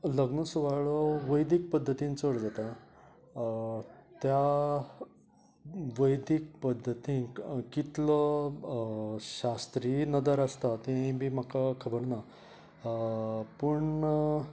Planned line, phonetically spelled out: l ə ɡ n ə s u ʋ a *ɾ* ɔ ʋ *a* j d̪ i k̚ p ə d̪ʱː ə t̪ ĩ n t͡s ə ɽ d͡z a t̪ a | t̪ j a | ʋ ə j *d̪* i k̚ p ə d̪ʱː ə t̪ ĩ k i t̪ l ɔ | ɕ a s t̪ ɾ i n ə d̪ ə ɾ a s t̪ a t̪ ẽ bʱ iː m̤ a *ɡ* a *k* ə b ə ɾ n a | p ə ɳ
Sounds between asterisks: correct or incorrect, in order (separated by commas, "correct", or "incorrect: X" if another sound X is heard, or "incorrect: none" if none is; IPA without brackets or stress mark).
incorrect: ɭ, incorrect: ə, correct, incorrect: k, incorrect: kʰ